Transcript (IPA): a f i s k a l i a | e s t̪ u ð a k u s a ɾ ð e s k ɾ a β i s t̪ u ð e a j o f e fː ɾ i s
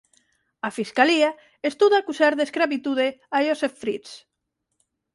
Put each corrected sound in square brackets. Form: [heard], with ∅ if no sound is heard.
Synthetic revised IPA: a f i s k a l i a | e s t̪ u ð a k u s a ɾ ð e s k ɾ a β i [∅] t̪ u ð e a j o [s] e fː ɾ i s